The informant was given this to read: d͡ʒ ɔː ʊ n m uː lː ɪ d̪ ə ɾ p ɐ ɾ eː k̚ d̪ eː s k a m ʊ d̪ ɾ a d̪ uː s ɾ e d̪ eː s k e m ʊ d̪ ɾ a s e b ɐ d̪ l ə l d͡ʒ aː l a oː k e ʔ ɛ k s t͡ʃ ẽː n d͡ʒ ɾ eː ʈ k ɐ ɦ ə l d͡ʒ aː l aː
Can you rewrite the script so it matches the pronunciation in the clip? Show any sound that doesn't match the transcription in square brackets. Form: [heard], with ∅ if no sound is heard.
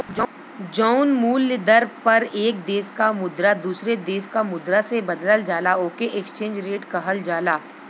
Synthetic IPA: d͡ʒ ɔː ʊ n m uː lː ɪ d̪ ə ɾ p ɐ ɾ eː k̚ d̪ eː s k a m ʊ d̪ ɾ a d̪ uː s ɾ e d̪ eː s k [a] m ʊ d̪ ɾ a s e b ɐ d̪ l ə l d͡ʒ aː l a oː k e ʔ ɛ k s t͡ʃ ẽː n d͡ʒ ɾ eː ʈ k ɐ ɦ ə l d͡ʒ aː l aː